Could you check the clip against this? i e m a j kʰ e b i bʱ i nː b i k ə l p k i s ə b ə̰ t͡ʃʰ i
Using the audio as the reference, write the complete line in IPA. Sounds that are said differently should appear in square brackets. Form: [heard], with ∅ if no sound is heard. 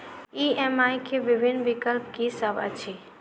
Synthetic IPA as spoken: i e m a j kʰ e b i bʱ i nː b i k ə l p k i s ə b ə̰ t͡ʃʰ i